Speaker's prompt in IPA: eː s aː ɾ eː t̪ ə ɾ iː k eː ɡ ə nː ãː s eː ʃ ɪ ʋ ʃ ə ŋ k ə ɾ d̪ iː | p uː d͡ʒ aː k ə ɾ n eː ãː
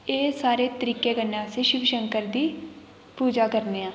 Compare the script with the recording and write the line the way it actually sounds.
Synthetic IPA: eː s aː ɾ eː t̪ ə ɾ iː k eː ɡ ə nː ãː s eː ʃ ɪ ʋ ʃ ə ŋ k ə ɾ d̪ iː | p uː d͡ʒ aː k ə ɾ n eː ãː